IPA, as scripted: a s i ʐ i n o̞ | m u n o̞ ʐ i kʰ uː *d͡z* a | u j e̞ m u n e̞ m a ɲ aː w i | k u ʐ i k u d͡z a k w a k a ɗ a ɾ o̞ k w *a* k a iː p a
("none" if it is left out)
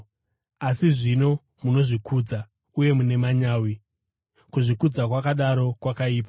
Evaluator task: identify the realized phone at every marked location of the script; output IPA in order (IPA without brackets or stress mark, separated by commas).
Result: d͡z, a